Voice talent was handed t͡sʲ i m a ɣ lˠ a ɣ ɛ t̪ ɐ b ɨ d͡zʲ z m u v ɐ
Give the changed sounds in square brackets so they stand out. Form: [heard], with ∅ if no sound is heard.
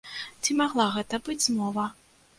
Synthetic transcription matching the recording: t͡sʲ i m a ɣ lˠ a ɣ ɛ t̪ ɐ b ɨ d͡zʲ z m [ɔ] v ɐ